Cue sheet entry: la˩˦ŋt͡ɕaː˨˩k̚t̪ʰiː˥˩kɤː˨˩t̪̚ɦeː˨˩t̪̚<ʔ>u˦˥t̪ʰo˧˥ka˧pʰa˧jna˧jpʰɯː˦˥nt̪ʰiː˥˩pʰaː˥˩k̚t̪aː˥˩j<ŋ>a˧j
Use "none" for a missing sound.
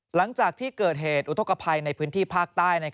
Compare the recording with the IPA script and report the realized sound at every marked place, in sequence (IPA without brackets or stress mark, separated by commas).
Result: ʔ, n